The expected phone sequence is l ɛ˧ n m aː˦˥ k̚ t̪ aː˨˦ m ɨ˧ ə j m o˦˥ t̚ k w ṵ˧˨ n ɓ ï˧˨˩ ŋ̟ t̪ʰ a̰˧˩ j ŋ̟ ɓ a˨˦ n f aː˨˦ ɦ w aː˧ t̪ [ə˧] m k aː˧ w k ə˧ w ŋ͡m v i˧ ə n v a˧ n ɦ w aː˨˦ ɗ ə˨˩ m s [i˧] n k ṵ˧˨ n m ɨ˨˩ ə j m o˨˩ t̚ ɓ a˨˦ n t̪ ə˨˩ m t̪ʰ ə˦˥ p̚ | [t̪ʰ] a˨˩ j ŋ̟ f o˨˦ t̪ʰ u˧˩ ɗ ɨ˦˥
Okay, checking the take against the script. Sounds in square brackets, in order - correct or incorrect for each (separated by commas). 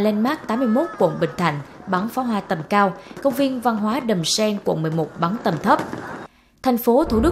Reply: incorrect, incorrect, correct